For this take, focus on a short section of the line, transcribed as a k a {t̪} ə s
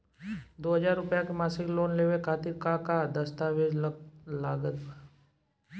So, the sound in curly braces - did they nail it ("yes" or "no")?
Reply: no